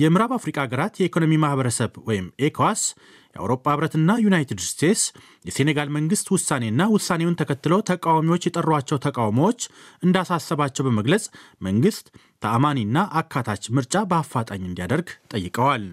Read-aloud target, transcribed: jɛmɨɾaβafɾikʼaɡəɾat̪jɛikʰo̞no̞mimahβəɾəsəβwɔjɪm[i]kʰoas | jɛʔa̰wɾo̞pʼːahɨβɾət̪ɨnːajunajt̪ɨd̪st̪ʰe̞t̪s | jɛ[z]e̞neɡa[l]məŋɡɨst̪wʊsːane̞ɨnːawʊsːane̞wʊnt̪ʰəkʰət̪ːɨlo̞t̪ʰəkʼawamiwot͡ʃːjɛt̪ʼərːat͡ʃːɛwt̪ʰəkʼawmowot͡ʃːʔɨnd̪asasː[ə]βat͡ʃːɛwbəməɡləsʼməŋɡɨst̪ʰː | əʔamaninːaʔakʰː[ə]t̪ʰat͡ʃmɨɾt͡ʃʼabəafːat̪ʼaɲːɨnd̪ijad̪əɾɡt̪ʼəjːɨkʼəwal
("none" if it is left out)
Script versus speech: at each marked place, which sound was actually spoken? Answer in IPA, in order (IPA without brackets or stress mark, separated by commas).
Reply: e, s, l, ə, a